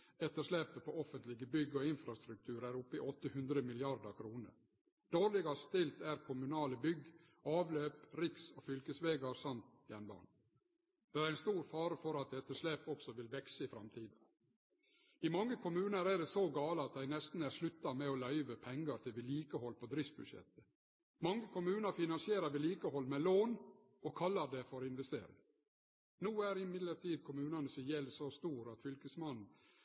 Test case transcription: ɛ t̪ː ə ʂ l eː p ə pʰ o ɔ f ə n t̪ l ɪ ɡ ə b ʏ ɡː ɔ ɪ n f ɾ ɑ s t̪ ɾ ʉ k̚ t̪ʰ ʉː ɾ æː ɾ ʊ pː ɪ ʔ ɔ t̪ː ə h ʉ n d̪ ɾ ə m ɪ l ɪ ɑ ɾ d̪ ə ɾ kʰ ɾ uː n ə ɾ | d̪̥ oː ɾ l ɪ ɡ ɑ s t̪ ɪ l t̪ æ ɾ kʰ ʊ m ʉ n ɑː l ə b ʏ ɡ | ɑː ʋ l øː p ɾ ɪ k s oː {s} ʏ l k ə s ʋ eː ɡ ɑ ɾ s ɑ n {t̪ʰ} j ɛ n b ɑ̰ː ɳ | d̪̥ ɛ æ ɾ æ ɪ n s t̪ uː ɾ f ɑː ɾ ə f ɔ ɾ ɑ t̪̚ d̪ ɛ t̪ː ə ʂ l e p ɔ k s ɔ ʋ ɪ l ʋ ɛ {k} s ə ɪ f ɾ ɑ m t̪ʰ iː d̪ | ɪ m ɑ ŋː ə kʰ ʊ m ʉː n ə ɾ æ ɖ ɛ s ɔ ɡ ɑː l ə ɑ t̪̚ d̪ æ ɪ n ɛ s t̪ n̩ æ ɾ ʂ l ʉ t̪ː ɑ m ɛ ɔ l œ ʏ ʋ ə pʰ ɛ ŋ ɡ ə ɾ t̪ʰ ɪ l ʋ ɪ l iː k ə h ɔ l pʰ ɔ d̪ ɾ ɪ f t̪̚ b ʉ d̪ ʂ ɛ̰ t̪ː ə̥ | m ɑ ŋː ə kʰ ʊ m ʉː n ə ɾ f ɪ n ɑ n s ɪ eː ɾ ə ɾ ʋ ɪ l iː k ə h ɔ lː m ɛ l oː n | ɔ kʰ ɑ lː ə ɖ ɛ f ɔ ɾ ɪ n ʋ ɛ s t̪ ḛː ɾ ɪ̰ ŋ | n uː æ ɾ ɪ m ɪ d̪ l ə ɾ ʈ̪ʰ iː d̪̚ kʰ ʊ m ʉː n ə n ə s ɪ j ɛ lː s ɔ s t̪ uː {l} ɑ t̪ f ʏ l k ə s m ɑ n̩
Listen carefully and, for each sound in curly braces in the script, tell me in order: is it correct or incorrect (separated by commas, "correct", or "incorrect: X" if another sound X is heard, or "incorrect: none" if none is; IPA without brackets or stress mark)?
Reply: incorrect: f, incorrect: t̪, correct, incorrect: ɾ